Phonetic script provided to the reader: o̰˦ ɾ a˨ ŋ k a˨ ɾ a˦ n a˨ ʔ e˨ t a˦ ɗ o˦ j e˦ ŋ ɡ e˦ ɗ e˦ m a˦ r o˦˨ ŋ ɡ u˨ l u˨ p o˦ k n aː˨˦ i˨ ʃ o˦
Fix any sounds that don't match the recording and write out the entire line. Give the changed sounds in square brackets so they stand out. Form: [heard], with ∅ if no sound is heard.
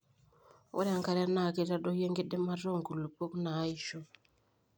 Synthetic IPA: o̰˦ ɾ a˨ ŋ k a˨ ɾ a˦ n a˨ [k] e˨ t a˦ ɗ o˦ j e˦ ŋ ɡ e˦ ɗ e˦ m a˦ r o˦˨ ŋ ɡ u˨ l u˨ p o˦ k n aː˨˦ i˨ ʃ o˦